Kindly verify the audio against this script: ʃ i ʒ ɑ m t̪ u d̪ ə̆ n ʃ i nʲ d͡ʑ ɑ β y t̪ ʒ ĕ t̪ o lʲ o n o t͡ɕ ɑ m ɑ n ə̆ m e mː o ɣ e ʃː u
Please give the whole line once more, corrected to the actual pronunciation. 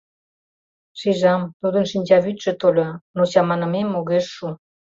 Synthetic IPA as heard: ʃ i ʒ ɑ m t̪ u d̪ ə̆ n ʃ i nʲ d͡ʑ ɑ β y t̪ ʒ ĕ t̪ o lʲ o n o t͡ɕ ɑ m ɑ n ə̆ m e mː o ɣ e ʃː u